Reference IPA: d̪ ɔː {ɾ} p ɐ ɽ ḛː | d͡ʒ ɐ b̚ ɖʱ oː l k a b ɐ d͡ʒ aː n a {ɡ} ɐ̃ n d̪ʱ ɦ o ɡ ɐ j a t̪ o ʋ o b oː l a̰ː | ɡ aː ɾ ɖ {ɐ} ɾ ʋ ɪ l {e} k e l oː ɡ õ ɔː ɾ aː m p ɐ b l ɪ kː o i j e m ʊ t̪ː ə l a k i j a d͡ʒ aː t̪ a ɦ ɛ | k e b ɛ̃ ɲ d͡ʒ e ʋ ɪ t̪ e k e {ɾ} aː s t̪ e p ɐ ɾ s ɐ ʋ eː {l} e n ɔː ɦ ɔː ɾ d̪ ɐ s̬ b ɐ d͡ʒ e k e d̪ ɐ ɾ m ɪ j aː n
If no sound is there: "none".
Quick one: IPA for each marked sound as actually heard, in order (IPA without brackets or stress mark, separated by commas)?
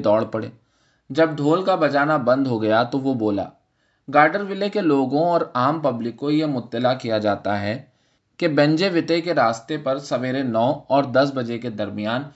ɽ, b, ə, e, ɾ, ɾ